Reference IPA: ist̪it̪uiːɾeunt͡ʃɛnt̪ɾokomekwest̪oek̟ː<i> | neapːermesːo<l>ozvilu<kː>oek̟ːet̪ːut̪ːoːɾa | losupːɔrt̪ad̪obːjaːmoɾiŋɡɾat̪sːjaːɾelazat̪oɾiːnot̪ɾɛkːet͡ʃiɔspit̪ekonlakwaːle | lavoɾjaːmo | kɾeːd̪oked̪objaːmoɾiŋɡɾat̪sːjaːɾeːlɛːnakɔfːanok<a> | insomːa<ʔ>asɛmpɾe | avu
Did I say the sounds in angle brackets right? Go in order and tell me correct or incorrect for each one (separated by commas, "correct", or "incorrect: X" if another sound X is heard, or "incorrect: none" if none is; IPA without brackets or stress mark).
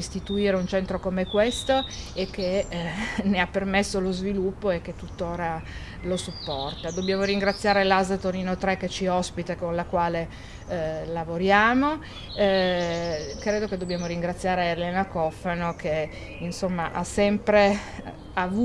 incorrect: e, correct, incorrect: pː, incorrect: e, correct